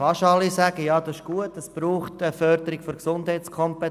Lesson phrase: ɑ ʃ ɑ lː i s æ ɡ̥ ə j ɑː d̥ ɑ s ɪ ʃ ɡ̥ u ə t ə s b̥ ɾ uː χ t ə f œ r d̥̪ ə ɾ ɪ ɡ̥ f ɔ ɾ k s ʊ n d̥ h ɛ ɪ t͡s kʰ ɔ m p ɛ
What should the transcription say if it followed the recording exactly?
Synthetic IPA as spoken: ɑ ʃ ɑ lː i s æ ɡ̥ ə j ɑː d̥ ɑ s ɪ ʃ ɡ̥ u ə t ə s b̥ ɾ uː χ t ə f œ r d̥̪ ə ɾ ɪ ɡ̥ f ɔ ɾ k s ʊ n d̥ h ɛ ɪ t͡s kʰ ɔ m p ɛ